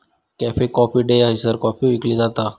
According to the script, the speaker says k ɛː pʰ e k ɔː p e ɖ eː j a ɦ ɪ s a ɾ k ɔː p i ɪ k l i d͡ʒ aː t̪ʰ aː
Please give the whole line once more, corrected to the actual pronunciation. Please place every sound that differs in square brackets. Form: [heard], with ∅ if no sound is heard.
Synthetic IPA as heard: k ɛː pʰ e k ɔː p [i] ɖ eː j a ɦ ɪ s [ə] ɾ k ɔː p i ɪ k l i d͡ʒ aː [t̪] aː